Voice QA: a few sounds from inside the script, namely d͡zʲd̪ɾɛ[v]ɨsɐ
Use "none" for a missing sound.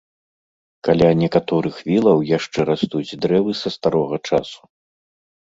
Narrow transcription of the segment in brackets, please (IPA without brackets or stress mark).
v